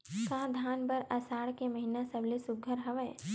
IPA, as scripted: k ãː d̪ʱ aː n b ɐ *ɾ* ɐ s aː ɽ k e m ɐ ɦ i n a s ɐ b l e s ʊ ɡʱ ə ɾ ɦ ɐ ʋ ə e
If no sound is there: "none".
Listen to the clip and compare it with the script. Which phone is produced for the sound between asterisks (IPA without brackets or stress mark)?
ɾ